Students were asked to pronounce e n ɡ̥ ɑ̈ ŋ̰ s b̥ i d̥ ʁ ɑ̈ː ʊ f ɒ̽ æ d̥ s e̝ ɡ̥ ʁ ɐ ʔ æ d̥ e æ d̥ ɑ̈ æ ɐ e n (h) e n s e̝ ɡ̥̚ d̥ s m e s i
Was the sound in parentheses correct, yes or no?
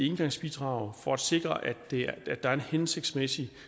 yes